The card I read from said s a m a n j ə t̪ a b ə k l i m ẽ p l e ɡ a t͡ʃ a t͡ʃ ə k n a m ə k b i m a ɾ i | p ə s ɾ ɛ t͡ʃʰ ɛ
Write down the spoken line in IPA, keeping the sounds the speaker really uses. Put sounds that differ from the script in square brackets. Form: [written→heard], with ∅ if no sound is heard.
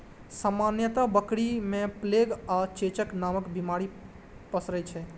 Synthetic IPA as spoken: s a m a n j ə t̪ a b ə k [l→ɽ] i m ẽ p l e ɡ a t͡ʃ [a→e] t͡ʃ ə k n a m ə k b i m a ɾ i | p ə s ɾ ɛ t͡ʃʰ ɛ